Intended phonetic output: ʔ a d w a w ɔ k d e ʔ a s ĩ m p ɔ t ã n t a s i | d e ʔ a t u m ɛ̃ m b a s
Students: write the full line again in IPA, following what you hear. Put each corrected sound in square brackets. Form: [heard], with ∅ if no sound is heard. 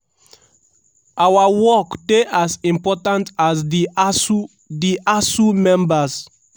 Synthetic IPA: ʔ a [∅] w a w ɔ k d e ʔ a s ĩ m p ɔ t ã n t a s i | d [i] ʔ a [s] u m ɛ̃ m b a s